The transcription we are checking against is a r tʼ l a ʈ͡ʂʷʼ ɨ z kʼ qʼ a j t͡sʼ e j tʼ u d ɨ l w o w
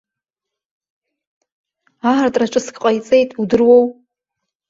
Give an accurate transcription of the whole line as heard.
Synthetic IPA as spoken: a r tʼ r a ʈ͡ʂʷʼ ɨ s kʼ qʼ a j t͡sʼ e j tʼ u d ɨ r w o w